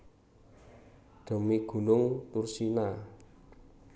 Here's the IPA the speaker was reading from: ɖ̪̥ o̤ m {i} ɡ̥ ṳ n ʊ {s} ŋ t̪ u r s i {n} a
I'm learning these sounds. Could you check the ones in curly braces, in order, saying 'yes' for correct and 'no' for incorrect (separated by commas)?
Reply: yes, no, yes